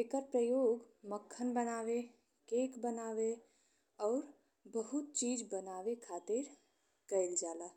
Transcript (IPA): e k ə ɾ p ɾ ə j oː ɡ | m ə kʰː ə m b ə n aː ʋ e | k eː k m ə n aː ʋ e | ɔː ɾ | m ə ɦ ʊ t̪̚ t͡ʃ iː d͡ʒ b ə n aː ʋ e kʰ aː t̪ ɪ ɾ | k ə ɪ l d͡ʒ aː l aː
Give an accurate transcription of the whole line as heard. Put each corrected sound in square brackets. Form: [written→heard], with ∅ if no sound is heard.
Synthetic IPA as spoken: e k ə ɾ p ɾ ə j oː ɡ | m ə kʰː ə [m→n] b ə n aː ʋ e | k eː k [m→b] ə n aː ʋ e | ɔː ɾ | [m→b] ə ɦ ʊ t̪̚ t͡ʃ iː d͡ʒ b ə n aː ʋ e kʰ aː t̪ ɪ ɾ | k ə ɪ l d͡ʒ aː l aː